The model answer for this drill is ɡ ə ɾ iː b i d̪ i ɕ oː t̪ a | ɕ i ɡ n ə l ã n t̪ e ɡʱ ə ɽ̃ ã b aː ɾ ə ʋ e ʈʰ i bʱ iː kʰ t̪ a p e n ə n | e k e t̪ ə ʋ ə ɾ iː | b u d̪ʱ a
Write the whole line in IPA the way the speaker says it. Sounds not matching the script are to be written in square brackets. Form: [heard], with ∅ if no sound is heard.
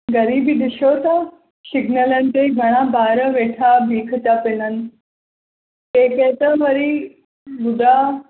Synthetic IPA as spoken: ɡ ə ɾ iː b i d̪ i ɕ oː t̪ a | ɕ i ɡ n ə l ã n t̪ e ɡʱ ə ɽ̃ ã b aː ɾ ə ʋ e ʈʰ [a] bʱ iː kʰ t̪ a p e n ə n | e k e t̪ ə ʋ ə ɾ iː | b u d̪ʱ a

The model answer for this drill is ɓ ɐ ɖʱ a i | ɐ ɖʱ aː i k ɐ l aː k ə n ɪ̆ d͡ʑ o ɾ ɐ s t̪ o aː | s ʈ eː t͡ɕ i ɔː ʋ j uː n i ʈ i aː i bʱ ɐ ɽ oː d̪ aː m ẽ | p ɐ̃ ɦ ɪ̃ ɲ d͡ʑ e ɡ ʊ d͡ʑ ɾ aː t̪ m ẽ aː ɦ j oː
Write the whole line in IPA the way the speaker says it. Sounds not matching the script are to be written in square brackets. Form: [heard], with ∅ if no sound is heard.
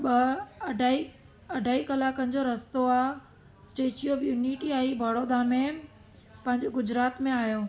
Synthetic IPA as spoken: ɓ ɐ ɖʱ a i | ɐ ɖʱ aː i k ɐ l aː k ə n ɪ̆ d͡ʑ o ɾ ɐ s t̪ o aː | s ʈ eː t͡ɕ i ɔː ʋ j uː n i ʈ i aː i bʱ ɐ ɽ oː d̪ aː m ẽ | p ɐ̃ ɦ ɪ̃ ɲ d͡ʑ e ɡ ʊ d͡ʑ ɾ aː t̪ m ẽ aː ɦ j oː

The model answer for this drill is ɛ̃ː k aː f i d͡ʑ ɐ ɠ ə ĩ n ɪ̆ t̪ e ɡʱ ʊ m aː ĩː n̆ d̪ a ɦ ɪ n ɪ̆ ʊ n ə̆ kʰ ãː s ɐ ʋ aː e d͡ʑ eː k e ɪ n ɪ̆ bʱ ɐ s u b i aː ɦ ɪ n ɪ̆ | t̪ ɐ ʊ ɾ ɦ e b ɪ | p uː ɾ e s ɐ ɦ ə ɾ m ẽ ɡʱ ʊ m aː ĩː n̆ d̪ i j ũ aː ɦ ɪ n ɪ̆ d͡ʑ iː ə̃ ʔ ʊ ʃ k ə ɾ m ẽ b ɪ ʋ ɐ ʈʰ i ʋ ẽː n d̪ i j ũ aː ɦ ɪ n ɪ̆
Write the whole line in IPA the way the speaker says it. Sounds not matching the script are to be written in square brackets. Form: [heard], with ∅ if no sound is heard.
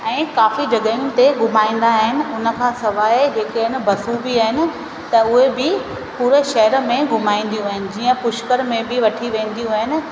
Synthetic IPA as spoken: ɛ̃ː k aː f i d͡ʑ ɐ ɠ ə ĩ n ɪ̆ t̪ e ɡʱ ʊ m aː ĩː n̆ d̪ a ɦ ɪ n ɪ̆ ʊ n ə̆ kʰ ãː s ɐ ʋ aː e d͡ʑ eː k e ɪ n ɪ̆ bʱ ɐ s u b i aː ɦ ɪ n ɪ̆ | t̪ ɐ ʊ [∅] ɦ e b ɪ | p uː ɾ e [ʃ] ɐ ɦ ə ɾ m ẽ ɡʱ ʊ m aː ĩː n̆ d̪ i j ũ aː ɦ ɪ n ɪ̆ d͡ʑ iː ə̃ [p] ʊ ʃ k ə ɾ m ẽ b ɪ ʋ ɐ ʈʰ i ʋ ẽː n d̪ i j ũ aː ɦ ɪ n ɪ̆

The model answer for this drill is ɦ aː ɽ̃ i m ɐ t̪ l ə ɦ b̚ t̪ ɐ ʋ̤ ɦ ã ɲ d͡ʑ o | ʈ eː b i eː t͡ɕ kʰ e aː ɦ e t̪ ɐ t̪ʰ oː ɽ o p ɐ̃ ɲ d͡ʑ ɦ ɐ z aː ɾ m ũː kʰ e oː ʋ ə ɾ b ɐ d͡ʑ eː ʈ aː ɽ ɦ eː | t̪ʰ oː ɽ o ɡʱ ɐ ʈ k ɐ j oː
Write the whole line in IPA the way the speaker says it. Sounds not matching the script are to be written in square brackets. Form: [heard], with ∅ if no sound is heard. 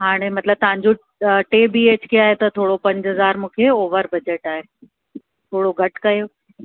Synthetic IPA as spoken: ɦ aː ɽ̃ [e] m ɐ t̪ l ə [∅] b̚ t̪ ɐ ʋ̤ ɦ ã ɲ d͡ʑ o | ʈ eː b i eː t͡ɕ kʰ e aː ɦ e t̪ ɐ t̪ʰ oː ɽ o p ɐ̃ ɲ d͡ʑ ɦ ɐ z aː ɾ m ũː kʰ e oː ʋ ə ɾ b ɐ d͡ʑ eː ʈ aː [∅] ɦ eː | t̪ʰ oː ɽ o ɡʱ ɐ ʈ k ɐ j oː

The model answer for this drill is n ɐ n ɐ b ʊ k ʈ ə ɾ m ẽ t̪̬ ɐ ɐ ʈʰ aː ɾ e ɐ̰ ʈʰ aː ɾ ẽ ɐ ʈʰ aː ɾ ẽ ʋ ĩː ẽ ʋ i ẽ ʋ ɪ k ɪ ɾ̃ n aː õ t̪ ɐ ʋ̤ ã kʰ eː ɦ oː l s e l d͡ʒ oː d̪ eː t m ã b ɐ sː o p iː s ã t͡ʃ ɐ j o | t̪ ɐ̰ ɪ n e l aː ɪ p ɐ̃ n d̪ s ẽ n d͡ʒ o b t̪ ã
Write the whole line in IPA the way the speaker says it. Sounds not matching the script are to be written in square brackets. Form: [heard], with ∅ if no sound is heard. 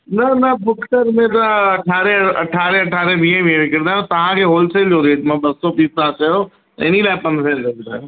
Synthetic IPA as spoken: n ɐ n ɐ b ʊ k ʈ ə ɾ m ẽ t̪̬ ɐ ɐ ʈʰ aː ɾ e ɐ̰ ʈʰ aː ɾ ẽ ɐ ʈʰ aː ɾ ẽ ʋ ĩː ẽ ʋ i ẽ ʋ ɪ k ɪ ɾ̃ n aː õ t̪ ɐ ʋ̤ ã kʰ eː ɦ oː l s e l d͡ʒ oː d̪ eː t m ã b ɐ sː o p iː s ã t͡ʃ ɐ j o | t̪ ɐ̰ ɪ n [i] l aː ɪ p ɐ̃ n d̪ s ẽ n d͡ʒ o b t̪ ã

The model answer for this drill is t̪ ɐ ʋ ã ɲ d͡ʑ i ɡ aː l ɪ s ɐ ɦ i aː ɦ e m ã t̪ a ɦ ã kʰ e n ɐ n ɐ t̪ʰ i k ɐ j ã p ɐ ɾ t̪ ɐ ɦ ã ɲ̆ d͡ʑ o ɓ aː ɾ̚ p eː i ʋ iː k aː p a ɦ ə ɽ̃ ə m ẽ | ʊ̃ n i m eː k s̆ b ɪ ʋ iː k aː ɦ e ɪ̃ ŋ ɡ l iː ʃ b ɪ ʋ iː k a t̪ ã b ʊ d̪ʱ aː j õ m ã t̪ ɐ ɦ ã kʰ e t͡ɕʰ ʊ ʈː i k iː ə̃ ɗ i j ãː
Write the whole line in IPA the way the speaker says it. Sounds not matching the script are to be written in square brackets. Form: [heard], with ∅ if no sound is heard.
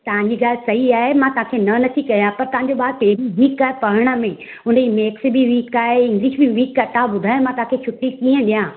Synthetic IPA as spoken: t̪ ɐ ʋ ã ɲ d͡ʑ i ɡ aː l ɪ s ɐ ɦ i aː ɦ e m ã t̪ [ɐ] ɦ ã kʰ e n ɐ n ɐ t̪ʰ i k ɐ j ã p ɐ ɾ t̪ ɐ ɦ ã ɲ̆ d͡ʑ o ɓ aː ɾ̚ p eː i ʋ iː k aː p [ɐ] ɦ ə ɽ̃ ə m ẽ | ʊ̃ n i m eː k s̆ b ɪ ʋ iː k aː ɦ e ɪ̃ ŋ ɡ l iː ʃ b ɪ ʋ iː k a t̪ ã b ʊ d̪ʱ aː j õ m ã t̪ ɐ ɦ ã kʰ e t͡ɕʰ ʊ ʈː i k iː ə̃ ɗ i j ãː

